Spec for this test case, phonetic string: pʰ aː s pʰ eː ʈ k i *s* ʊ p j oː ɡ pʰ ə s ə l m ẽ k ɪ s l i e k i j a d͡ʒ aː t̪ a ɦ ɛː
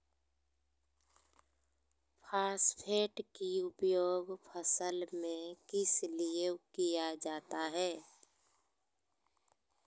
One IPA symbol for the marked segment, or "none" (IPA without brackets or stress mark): none